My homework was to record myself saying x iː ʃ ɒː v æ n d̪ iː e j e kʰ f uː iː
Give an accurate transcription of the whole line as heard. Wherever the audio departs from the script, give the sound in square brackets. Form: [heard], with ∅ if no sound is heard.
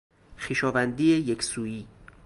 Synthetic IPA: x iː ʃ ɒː v æ n d̪ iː e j e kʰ [s] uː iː